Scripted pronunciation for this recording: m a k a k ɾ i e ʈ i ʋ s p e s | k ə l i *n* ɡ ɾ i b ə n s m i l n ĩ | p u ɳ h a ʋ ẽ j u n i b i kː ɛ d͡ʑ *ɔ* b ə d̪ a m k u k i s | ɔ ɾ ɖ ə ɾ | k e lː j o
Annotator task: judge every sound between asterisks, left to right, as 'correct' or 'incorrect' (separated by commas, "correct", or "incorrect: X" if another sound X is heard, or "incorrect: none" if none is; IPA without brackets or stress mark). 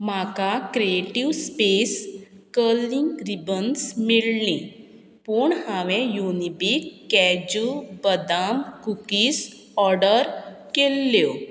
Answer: incorrect: ŋ, incorrect: u